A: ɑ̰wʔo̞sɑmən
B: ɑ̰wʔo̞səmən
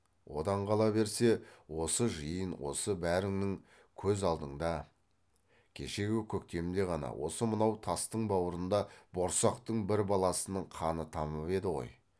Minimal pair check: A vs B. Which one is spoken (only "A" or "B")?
B